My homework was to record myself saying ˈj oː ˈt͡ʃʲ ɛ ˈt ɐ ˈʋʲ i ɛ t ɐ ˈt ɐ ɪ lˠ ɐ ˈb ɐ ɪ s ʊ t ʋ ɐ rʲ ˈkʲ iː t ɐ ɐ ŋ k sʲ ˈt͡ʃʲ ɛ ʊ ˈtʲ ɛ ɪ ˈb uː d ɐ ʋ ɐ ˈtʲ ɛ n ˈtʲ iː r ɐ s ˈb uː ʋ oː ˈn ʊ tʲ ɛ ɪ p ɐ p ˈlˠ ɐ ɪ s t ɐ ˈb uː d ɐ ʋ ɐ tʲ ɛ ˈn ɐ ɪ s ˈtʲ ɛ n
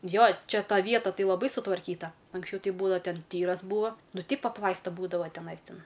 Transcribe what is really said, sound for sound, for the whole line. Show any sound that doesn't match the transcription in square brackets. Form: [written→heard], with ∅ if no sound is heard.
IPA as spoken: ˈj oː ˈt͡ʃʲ ɛ ˈt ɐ ˈʋʲ i ɛ t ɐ ˈt ɐ ɪ lˠ ɐ ˈb ɐ ɪ s ʊ t ʋ ɐ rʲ ˈkʲ iː t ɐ ɐ ŋ k sʲ ˈt͡ʃʲ ɛ ʊ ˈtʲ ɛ ɪ ˈb uː d ɐ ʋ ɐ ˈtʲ ɛ n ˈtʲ iː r ɐ s ˈb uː ʋ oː ˈn ʊ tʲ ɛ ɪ p ɐ p ˈlˠ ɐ ɪ s t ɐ ˈb uː d ɐ ʋ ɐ tʲ ɛ ˈn ɐ ɪ s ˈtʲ ɛ n